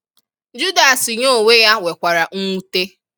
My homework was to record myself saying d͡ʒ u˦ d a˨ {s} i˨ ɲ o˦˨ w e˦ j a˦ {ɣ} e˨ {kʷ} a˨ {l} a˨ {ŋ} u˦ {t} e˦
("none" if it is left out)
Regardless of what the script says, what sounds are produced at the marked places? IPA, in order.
s, w, kʷ, ɾ, ŋ, t

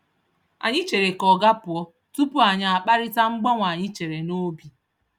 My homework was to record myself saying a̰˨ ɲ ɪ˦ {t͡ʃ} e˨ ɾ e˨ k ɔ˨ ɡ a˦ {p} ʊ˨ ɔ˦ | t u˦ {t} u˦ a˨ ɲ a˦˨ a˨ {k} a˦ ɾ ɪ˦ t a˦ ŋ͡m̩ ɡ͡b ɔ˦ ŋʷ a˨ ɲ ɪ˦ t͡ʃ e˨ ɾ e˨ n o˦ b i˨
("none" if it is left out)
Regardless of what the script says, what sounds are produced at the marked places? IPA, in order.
t͡ʃ, p, p, k͡p

